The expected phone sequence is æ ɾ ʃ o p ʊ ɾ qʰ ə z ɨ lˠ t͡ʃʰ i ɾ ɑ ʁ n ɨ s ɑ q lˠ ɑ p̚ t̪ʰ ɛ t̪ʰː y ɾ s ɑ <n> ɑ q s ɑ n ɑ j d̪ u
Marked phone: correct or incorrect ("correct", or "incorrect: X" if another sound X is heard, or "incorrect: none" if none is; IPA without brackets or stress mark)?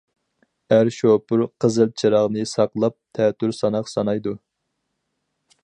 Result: correct